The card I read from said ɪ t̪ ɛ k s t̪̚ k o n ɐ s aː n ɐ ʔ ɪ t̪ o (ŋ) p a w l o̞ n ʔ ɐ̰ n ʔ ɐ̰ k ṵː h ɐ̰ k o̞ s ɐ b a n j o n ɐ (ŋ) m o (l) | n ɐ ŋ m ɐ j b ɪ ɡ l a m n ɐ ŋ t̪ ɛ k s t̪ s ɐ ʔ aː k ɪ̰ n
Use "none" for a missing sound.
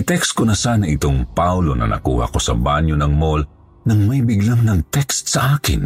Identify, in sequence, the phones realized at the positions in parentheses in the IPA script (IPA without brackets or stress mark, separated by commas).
ŋ, ŋ, l